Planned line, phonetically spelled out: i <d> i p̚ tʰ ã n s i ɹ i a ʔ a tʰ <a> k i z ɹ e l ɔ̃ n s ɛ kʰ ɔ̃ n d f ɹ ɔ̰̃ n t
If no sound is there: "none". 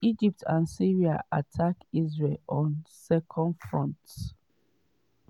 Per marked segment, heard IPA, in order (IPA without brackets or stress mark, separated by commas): d͡ʒ, a